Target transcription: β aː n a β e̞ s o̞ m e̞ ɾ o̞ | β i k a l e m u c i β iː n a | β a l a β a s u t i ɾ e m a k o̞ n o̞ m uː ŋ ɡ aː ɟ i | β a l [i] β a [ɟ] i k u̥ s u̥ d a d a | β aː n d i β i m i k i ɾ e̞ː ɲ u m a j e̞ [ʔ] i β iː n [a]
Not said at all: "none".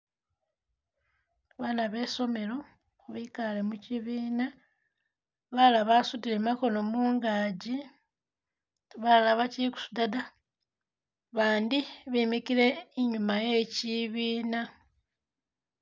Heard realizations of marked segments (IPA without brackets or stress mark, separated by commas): a, c, c, a